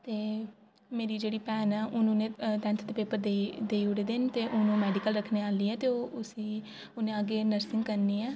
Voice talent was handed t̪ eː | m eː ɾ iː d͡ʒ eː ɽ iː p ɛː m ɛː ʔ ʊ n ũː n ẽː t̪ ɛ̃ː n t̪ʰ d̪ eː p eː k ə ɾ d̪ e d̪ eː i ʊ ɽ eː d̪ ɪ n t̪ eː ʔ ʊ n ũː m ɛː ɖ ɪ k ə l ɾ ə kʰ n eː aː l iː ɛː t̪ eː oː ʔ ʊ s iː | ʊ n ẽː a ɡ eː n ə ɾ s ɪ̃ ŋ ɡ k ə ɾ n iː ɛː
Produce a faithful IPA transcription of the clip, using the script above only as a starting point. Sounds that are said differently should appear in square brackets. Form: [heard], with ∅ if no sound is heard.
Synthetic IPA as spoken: t̪ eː | m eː ɾ iː d͡ʒ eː ɽ iː p ɛː [n] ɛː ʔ ʊ n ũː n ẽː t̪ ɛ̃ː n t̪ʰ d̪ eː p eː [p] ə ɾ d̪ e d̪ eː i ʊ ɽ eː d̪ ɪ n t̪ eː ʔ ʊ n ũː m ɛː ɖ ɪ k ə l ɾ ə kʰ n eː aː l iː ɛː t̪ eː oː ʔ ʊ s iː | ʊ n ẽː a ɡ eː n ə ɾ s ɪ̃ ŋ ɡ k ə ɾ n iː ɛː